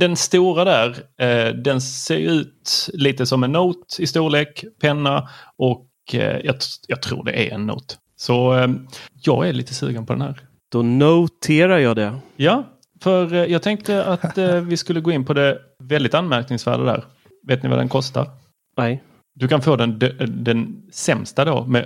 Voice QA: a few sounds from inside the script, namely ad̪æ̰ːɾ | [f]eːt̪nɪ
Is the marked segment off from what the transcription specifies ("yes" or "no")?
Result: yes